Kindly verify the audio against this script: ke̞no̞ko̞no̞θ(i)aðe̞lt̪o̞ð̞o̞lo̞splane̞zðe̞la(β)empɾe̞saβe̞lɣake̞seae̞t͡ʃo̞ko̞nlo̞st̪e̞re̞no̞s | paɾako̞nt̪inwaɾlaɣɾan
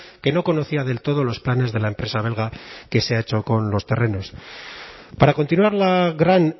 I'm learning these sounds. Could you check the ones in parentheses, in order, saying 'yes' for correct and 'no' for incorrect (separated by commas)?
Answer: yes, no